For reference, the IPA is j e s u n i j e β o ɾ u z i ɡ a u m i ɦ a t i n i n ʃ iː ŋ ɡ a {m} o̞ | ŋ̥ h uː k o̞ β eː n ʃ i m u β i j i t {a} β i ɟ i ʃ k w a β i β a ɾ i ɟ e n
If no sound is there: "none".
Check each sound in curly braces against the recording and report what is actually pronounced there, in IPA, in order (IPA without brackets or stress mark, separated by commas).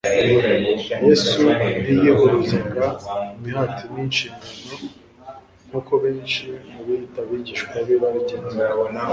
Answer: n, a